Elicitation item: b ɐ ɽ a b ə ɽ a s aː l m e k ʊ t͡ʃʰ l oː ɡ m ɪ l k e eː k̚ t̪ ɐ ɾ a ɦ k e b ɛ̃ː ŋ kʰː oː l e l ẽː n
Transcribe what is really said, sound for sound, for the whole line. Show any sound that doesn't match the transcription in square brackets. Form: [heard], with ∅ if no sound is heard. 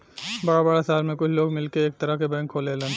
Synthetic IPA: b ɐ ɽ a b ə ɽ a s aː l m [ẽ] k ʊ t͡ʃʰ l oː ɡ m ɪ l k e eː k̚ t̪ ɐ ɾ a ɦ k e b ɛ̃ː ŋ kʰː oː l e l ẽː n